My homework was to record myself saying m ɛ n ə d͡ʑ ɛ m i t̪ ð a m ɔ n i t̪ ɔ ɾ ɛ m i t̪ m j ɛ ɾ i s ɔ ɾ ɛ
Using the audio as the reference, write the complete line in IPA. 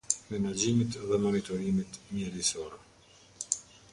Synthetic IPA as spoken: m ɛ n a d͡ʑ i m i t̪ ð ɛ m ɔ n i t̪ ɔ ɾ i m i t̪ m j ɛ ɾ i s ɔ ɾ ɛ